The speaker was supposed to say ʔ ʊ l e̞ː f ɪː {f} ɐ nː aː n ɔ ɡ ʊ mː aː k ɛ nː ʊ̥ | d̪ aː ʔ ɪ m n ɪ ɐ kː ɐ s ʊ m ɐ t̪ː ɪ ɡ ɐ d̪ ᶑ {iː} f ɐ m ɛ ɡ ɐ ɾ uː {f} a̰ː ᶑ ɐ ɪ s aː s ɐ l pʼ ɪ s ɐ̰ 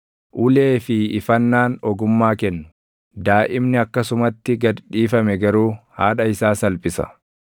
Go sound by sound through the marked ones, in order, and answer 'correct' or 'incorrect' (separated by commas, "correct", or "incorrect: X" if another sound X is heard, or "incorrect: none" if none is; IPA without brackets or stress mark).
correct, correct, incorrect: h